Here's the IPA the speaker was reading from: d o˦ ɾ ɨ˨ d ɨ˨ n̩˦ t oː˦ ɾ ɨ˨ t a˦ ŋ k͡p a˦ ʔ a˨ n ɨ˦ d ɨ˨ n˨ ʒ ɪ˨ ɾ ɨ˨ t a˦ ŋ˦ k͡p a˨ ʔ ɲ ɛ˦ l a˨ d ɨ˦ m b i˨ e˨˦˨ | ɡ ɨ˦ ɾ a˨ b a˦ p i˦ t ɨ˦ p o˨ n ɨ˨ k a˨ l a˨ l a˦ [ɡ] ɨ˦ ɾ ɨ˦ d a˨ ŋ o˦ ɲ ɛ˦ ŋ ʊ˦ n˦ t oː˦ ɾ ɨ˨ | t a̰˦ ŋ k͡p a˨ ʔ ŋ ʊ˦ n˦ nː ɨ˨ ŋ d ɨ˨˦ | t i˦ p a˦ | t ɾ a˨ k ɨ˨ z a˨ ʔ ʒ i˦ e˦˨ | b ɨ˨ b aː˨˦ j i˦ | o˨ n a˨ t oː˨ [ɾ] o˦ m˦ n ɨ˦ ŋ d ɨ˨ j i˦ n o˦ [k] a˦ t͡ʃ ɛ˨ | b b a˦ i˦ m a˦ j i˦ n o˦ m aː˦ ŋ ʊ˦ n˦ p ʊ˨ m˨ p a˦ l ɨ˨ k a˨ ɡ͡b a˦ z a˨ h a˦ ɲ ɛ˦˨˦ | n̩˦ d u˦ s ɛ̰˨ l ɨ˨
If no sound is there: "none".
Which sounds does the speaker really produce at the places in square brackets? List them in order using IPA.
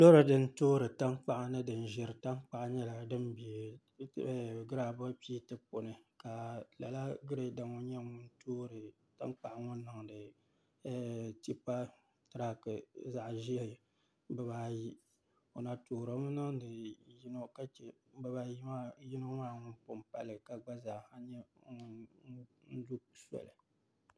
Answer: ɡ, ɾ, k

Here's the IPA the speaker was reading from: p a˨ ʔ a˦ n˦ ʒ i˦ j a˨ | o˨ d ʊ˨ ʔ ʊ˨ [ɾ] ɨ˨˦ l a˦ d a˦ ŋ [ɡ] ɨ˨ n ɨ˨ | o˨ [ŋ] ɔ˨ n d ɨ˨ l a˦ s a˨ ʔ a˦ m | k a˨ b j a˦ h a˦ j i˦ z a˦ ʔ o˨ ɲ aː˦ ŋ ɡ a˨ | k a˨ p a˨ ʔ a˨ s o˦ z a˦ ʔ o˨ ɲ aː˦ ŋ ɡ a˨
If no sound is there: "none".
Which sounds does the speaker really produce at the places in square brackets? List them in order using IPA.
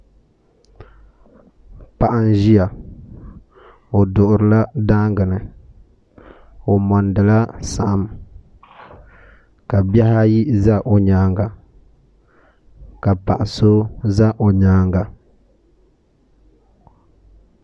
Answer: ɾ, ɡ, m

